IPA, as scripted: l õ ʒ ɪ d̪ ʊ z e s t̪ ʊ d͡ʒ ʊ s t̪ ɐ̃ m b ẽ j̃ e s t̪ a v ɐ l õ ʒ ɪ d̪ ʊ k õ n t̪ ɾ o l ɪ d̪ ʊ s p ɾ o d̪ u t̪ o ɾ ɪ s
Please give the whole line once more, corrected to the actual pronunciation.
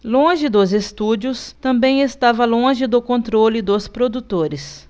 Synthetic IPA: l õ ʒ ɪ d̪ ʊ z e s t̪ u d͡ʒ ʊ s t̪ ɐ̃ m b ẽ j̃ e s t̪ a v ɐ l õ ʒ ɪ d̪ ʊ k õ n t̪ ɾ o l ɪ d̪ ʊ s p ɾ o d̪ u t̪ o ɾ ɪ s